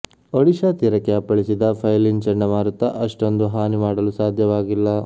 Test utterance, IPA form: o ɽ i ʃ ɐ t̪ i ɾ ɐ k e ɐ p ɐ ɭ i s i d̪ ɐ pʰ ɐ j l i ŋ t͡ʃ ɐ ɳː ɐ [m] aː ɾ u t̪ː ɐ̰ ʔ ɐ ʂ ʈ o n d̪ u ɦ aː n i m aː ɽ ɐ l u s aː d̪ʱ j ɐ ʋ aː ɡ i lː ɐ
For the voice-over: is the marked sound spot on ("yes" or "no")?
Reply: yes